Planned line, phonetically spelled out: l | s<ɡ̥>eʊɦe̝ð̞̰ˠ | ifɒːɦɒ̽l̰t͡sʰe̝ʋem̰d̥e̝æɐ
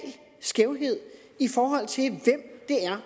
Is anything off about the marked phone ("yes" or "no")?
no